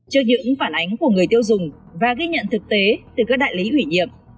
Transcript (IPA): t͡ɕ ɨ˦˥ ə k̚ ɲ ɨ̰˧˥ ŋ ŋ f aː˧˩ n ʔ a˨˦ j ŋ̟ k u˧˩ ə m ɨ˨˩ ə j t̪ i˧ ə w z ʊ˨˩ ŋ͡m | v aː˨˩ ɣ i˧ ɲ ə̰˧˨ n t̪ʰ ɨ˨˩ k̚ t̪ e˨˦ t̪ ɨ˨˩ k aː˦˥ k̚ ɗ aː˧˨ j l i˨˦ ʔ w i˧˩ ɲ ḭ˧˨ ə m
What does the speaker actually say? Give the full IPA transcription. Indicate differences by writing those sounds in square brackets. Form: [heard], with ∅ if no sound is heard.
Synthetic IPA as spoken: t͡ɕ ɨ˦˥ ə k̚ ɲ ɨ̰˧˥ ŋ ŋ f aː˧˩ n ʔ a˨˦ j ŋ̟ k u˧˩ ə [ŋ] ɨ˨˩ ə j t̪ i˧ ə w z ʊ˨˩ ŋ͡m | v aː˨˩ ɣ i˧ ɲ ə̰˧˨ n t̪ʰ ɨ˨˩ k̚ t̪ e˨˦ t̪ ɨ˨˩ k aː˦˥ k̚ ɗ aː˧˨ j l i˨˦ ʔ w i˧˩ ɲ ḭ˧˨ ə m